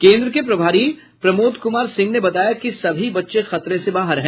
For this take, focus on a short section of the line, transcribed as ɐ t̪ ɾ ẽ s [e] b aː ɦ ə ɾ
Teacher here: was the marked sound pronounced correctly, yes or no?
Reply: yes